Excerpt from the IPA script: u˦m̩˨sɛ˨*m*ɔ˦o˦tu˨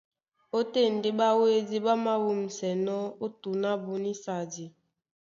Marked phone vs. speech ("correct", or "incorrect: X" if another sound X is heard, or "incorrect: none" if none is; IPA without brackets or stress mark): incorrect: n